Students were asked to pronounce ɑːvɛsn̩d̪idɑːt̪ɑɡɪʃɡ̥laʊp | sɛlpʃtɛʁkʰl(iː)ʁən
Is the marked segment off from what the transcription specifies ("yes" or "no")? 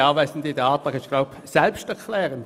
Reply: yes